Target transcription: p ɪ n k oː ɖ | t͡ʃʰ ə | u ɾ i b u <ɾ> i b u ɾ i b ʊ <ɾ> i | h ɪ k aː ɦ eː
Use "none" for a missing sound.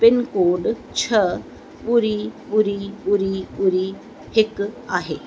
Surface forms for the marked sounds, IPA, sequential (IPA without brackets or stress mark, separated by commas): ɾ, ɾ